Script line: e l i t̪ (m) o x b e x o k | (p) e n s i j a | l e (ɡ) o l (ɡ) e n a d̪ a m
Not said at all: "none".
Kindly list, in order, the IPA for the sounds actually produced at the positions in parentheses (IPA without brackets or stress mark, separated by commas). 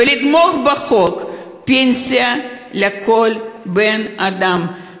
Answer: m, p, k, b